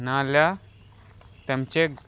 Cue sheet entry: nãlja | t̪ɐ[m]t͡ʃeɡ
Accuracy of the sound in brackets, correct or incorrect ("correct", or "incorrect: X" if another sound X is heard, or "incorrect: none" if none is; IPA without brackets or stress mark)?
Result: correct